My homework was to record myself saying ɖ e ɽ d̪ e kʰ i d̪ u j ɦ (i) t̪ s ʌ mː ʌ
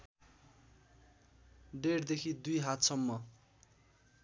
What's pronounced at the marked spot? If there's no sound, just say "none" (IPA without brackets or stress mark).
a